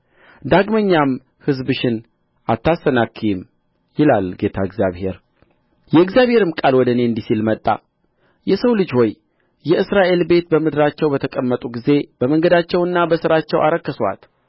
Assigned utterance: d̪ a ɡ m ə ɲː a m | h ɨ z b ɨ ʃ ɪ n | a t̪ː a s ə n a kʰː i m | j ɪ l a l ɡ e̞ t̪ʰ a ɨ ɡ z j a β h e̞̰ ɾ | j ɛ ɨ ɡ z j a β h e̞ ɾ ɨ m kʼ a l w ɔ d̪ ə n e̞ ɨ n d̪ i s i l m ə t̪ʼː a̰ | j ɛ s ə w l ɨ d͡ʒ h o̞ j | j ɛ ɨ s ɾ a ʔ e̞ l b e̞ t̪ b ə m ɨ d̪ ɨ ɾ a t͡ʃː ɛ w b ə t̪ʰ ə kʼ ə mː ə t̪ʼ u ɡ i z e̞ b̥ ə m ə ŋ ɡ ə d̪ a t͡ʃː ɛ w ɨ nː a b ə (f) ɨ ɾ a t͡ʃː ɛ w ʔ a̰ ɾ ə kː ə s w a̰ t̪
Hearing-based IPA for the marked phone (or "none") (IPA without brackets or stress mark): s